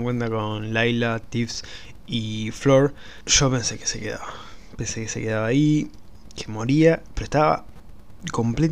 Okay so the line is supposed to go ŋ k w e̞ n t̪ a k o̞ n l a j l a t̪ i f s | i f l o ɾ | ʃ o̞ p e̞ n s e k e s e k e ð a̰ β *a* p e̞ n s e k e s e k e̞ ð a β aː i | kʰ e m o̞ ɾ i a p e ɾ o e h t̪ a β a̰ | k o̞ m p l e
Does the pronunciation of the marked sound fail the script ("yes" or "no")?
no